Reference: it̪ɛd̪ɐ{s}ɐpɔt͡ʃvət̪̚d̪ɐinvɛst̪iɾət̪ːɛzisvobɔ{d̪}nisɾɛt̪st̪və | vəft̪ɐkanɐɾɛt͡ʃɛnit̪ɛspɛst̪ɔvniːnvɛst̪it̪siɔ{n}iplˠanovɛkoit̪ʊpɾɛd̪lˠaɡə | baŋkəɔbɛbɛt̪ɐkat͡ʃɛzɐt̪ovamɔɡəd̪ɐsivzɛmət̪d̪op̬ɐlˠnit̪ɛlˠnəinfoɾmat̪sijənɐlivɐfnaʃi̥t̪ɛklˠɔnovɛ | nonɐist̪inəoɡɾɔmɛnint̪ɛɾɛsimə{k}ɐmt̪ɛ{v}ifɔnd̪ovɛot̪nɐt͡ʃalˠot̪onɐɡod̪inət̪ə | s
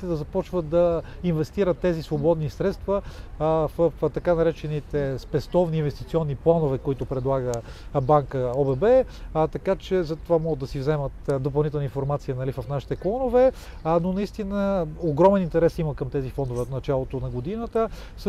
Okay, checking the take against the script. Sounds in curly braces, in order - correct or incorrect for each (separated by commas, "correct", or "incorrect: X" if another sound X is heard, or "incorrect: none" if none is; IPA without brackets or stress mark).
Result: incorrect: z, correct, incorrect: nː, correct, incorrect: z